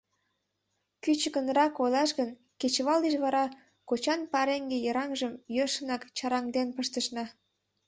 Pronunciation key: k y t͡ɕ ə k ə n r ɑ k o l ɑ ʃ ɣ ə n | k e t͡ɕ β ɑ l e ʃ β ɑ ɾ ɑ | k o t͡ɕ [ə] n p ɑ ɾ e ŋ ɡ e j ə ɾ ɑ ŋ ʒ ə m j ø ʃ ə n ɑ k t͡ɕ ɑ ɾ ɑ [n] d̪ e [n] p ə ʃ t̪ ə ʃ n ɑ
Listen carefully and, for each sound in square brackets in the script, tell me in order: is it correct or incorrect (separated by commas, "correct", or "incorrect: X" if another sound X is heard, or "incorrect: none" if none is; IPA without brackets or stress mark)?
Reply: incorrect: ɑ, incorrect: ŋ, correct